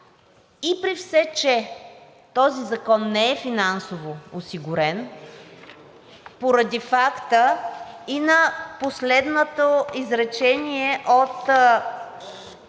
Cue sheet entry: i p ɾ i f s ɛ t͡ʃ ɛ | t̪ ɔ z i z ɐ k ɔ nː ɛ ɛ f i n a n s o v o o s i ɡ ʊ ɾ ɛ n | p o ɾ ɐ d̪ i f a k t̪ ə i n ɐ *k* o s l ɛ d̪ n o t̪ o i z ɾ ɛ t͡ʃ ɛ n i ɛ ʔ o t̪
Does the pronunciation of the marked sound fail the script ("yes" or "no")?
yes